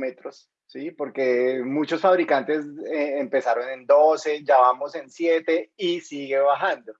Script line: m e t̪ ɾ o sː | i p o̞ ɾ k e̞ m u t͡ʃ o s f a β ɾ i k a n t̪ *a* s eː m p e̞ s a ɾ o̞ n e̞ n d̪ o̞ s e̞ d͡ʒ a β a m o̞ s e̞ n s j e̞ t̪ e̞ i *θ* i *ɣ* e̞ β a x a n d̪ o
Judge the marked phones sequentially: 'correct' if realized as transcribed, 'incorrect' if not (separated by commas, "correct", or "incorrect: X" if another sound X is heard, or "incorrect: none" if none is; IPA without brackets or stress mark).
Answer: incorrect: e, incorrect: s, correct